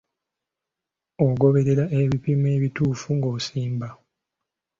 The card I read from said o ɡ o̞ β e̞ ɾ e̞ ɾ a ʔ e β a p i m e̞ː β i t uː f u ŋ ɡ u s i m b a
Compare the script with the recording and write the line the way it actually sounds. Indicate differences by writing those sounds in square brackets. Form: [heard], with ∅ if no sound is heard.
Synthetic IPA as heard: o ɡ o̞ β e̞ ɾ e̞ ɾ a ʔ e β [i] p i m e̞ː β i t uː f u ŋ ɡ [o] s [iː] m b a